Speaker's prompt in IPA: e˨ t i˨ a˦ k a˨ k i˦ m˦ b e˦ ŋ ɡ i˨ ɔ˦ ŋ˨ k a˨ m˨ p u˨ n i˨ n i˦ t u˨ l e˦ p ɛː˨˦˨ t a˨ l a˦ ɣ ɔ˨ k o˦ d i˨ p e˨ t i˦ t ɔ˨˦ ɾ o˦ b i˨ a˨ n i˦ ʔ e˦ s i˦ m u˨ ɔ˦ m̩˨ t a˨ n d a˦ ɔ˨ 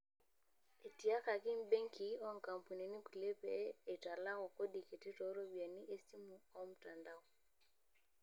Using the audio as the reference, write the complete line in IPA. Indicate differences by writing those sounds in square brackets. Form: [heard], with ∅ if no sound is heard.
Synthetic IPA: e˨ t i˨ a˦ k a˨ k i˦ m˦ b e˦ ŋ [k] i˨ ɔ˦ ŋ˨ k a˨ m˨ p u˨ n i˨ n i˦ [k] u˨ l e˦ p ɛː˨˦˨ t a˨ l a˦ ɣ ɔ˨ k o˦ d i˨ [k] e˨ t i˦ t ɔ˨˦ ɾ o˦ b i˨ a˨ n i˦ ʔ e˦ s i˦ m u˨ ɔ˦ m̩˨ t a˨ n d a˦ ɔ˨